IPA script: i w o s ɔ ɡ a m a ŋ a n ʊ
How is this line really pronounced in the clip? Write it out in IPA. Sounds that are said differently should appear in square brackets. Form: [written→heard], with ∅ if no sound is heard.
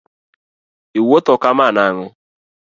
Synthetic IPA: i w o [s→t] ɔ [ɡ→k] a m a [ŋ→n] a [n→ŋ] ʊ

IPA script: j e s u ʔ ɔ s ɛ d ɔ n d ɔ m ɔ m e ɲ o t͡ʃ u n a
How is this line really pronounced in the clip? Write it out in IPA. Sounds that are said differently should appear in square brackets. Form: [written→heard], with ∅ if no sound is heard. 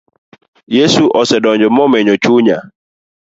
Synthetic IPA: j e s u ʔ ɔ s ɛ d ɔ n [d→d͡ʒ] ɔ m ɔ m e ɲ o t͡ʃ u [n→ɲ] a

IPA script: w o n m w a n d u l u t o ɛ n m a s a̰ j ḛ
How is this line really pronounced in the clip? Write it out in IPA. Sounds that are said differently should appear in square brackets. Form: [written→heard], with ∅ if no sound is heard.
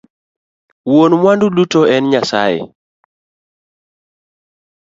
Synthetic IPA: w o n m w a n d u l u t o ɛ n [m→ɲ] a s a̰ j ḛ

